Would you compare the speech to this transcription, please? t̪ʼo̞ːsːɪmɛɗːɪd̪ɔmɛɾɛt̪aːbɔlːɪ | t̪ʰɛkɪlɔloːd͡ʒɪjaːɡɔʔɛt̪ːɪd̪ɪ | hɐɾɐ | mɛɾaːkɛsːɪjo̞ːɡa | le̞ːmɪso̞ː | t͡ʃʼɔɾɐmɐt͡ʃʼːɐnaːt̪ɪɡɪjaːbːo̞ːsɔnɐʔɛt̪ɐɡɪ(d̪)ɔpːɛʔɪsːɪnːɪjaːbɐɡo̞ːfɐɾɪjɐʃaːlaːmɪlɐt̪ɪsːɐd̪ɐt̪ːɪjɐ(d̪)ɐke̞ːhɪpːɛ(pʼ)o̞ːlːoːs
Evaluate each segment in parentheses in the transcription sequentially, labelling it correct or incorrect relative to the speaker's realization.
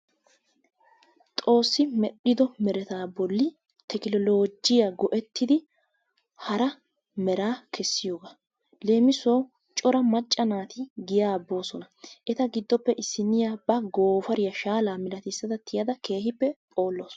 incorrect: d̪ː, correct, correct

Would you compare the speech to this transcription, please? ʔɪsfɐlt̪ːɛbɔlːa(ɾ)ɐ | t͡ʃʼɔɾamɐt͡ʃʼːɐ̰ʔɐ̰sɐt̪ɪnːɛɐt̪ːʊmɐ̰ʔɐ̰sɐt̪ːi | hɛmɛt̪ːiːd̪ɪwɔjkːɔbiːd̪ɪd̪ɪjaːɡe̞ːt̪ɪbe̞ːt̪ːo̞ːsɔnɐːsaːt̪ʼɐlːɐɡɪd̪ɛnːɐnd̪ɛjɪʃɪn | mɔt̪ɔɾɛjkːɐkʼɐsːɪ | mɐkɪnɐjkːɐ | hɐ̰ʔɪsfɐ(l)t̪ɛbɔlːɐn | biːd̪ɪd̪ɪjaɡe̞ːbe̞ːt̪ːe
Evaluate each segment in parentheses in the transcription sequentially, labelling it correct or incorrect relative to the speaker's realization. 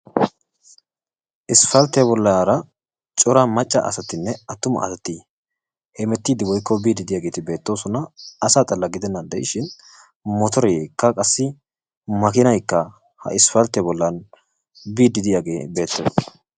correct, correct

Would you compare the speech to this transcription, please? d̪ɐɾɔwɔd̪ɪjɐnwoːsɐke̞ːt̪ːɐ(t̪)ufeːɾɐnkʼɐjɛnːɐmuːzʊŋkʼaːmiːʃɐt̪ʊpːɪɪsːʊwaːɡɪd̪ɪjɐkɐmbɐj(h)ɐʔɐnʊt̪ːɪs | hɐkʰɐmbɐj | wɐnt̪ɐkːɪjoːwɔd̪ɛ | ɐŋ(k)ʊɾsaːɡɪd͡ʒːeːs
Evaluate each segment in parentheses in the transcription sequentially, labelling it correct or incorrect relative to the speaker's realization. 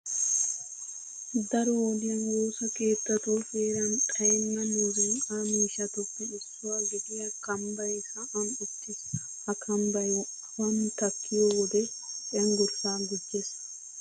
correct, correct, incorrect: ɡ

